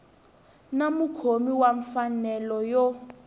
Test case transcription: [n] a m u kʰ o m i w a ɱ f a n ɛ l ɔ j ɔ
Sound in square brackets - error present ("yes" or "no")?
no